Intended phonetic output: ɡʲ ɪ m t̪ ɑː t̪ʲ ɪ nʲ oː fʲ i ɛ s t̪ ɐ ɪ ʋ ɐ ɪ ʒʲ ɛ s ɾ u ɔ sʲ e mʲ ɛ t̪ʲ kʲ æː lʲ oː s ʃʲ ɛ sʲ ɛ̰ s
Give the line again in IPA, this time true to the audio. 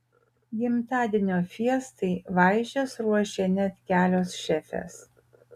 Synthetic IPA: ɡʲ ɪ m t̪ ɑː d̪ʲ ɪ nʲ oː fʲ i ɛ s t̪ ɐ ɪ ʋ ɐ ɪ ʒʲ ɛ s ɾ u ɔ ʃʲ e nʲ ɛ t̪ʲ kʲ æː lʲ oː s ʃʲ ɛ fʲ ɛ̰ s